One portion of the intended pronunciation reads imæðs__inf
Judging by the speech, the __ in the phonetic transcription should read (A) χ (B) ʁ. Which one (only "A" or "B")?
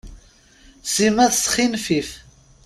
A